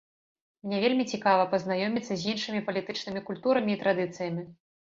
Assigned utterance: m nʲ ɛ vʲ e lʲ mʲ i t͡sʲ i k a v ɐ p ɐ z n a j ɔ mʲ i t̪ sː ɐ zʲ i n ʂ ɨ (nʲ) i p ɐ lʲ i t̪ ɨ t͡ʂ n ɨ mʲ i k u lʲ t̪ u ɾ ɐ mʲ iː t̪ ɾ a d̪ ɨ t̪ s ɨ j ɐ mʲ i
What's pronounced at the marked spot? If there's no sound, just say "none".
mʲ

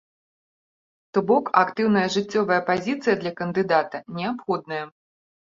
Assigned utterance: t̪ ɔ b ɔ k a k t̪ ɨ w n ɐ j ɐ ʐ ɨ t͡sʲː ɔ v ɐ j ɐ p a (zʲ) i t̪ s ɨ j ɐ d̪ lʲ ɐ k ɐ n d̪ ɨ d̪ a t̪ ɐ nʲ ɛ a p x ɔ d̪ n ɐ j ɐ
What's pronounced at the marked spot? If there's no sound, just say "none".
zʲ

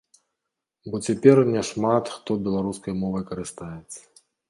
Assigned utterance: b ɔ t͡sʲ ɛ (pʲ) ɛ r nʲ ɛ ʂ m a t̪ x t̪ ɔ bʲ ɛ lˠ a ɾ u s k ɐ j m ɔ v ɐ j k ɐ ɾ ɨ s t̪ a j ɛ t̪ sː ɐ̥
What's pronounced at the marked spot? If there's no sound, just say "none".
pʲ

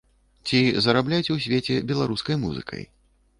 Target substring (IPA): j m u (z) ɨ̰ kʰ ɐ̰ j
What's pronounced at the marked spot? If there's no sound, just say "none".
z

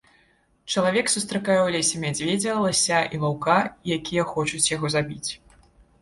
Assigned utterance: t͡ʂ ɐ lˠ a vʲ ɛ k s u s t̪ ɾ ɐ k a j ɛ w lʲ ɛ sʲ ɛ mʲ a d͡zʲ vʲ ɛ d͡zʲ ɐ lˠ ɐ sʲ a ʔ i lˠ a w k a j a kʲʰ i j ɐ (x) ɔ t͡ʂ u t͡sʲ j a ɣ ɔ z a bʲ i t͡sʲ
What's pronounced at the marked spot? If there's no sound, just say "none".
x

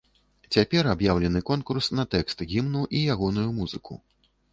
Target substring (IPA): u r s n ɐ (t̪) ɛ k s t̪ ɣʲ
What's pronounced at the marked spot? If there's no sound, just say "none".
t̪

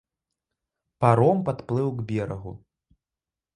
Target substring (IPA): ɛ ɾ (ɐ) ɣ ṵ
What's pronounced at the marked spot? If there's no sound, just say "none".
ɐ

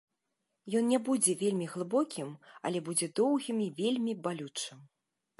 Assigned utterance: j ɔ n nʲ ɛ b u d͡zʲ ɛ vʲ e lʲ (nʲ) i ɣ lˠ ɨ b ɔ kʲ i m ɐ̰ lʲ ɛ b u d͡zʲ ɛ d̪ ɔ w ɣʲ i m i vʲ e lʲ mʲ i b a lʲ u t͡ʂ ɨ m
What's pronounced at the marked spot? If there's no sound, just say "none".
mʲ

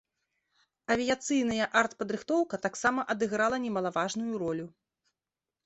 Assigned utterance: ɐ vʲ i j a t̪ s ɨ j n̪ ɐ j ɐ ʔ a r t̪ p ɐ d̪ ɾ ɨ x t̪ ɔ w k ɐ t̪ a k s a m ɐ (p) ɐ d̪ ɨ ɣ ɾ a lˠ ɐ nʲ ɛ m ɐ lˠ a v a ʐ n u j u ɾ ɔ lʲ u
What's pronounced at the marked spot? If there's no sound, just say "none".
ʔ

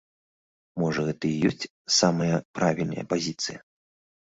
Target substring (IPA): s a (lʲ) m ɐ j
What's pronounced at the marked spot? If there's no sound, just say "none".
none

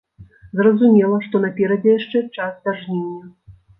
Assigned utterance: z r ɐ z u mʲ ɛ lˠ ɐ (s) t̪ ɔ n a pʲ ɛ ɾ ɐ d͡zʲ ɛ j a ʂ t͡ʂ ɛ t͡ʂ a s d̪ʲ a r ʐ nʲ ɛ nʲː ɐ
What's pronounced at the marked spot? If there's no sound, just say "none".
ʂ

